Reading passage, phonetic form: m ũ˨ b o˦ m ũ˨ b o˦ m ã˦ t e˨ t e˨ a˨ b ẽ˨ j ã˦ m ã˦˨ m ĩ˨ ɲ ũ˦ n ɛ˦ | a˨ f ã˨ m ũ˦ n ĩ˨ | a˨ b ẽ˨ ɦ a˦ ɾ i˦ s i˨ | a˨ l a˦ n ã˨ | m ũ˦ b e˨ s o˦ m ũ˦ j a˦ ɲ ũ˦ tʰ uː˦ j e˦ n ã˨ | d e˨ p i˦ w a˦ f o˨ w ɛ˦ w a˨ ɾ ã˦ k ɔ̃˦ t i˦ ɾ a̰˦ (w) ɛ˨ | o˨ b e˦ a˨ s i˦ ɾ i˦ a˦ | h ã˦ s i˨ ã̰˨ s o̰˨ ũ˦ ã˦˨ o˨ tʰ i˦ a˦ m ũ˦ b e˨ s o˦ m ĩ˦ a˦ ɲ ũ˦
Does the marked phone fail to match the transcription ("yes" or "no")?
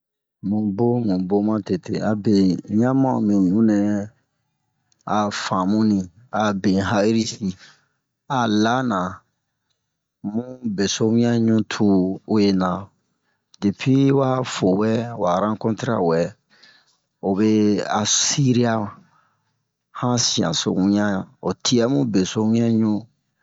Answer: no